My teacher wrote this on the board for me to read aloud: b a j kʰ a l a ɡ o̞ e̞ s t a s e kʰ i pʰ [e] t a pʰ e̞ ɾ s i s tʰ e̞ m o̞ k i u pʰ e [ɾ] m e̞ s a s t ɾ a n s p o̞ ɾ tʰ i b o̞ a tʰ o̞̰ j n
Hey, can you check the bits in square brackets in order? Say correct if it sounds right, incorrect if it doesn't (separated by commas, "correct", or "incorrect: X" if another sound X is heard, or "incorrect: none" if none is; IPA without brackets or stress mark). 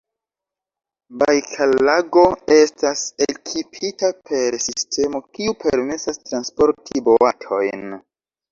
incorrect: i, correct